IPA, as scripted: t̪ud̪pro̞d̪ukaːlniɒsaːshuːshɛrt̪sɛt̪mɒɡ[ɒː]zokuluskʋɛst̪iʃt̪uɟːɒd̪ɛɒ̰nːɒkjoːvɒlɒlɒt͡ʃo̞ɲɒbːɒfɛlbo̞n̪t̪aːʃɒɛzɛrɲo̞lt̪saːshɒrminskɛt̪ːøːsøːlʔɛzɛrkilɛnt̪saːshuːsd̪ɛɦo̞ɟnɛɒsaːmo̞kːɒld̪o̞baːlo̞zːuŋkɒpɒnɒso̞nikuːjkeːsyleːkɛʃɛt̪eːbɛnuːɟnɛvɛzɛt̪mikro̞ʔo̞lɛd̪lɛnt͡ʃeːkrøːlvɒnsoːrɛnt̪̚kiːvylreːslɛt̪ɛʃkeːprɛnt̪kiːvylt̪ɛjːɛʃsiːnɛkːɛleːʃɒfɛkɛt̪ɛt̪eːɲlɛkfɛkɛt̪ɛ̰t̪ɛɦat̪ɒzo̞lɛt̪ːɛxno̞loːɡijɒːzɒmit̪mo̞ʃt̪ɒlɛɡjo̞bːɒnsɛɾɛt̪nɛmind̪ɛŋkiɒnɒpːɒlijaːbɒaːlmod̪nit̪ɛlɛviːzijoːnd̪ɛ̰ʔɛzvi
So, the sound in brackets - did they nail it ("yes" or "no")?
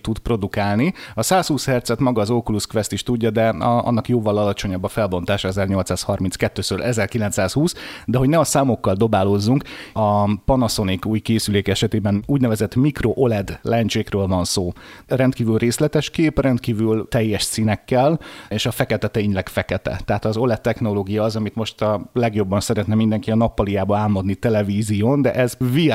yes